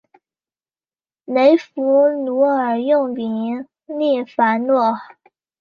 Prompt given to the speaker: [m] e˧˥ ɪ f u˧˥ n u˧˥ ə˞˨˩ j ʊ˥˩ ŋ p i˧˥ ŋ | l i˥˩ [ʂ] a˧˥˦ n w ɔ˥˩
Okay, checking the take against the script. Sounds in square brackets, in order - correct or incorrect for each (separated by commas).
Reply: incorrect, incorrect